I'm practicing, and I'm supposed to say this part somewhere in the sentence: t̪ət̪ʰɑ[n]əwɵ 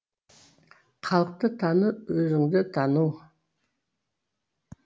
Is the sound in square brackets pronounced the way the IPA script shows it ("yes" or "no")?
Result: yes